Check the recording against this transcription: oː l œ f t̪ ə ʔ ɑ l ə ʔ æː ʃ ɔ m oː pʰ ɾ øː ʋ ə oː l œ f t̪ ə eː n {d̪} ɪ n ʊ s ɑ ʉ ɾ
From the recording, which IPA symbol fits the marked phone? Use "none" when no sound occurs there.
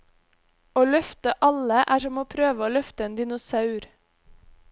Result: d̪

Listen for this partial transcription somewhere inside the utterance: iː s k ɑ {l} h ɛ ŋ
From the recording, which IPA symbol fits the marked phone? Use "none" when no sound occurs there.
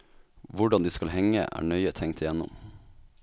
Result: l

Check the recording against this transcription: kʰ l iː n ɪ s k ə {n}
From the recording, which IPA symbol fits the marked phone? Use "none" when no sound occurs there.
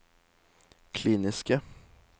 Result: none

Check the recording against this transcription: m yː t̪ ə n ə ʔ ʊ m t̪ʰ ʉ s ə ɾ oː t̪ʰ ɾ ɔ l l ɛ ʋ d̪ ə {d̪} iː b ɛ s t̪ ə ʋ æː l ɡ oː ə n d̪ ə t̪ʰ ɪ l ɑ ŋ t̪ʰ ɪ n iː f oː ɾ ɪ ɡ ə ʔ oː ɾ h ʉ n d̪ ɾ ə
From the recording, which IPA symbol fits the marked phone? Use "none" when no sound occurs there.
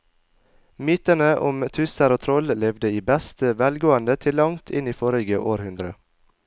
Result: none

